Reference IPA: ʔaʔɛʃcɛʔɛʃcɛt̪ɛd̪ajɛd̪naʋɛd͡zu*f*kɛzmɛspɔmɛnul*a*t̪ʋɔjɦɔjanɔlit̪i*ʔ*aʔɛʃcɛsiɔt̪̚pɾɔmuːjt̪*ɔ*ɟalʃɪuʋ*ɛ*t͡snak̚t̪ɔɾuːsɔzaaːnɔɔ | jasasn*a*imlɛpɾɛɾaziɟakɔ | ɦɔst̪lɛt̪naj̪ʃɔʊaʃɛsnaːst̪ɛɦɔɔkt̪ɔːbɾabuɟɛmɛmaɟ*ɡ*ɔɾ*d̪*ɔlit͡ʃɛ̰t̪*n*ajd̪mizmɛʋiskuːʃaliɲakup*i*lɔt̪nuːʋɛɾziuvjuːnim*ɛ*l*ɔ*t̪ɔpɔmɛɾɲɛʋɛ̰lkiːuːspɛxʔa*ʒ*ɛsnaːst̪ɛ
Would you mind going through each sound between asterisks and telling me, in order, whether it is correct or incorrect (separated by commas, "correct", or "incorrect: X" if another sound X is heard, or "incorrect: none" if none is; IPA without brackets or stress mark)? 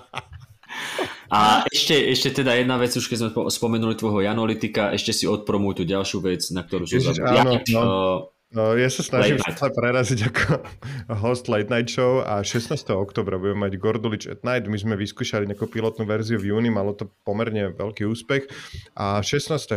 incorrect: ʃ, incorrect: i, incorrect: k, incorrect: u, correct, correct, correct, correct, correct, correct, incorrect: a, correct, incorrect: ʃ